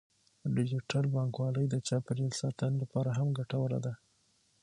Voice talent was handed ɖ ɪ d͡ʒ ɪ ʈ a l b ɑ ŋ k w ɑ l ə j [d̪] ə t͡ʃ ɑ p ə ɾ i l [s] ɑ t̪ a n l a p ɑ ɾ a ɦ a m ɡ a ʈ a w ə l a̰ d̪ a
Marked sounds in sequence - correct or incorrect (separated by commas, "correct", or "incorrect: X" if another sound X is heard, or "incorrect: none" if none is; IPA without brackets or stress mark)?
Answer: correct, correct